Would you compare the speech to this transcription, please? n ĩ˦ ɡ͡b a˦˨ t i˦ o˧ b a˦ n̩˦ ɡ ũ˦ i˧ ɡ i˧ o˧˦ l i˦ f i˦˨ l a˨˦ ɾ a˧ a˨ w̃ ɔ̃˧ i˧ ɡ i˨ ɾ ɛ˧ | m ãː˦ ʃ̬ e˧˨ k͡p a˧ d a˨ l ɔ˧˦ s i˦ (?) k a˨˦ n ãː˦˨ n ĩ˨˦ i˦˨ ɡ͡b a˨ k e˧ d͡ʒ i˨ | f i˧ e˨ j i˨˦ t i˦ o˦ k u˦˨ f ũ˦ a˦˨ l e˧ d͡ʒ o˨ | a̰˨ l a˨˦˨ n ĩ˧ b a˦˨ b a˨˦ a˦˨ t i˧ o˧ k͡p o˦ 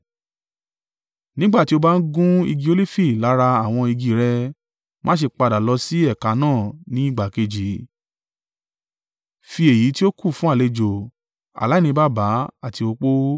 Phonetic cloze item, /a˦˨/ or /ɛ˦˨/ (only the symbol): ɛ˦˨